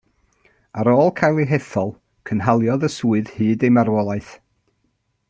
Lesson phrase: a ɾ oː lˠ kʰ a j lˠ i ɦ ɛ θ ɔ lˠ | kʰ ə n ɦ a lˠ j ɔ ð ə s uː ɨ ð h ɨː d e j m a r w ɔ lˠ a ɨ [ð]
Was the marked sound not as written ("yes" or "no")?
yes